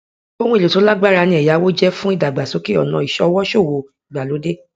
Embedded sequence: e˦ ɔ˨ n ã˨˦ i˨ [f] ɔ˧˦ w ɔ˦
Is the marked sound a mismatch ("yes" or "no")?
yes